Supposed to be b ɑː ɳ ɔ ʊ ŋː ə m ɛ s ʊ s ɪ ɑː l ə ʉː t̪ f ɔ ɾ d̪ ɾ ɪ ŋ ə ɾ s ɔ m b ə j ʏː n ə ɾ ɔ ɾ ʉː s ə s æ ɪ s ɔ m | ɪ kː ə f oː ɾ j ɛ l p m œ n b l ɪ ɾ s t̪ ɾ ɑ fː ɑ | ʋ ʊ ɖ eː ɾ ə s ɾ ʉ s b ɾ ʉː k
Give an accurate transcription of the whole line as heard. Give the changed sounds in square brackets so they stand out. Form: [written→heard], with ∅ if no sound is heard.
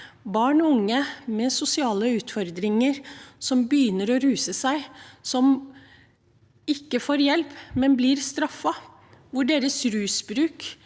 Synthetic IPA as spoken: b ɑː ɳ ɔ ʊ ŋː ə m ɛ s ʊ s ɪ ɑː l ə ʉː t̪ f ɔ ɾ d̪ ɾ ɪ ŋ ə ɾ s ɔ m b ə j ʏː n ə ɾ ɔ ɾ ʉː s ə s æ ɪ s ɔ m | ɪ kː ə f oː ɾ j ɛ l p m [œ→ɛ] n b l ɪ ɾ s t̪ ɾ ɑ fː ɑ | ʋ ʊ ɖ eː ɾ ə s ɾ [ʉ→ʉː] s b ɾ ʉː k